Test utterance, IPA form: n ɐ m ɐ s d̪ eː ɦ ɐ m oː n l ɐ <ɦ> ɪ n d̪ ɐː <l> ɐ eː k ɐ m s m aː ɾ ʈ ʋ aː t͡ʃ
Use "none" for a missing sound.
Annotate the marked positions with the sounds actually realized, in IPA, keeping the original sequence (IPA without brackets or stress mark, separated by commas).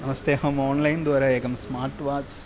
none, ɾ